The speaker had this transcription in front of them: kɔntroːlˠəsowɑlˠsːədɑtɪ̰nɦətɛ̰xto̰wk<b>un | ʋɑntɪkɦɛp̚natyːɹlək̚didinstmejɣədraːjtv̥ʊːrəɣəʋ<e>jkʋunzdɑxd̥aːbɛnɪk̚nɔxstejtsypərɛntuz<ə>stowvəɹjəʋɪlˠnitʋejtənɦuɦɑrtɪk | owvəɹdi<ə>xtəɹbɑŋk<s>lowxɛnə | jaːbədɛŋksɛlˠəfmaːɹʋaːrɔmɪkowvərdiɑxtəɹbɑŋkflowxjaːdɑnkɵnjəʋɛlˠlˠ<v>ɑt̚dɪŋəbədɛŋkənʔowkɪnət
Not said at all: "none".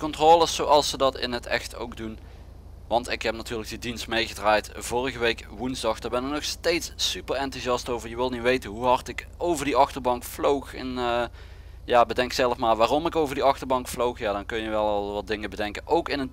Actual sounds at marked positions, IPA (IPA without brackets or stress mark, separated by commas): d, e, ɑ, ɑ, f, ʋ